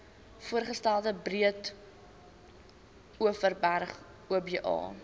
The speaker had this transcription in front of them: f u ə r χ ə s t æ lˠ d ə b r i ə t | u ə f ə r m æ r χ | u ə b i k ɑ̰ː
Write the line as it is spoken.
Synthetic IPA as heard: f u ə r χ ə s t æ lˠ d ə b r i ə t | u ə f ə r b æ r χ | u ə b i ʔ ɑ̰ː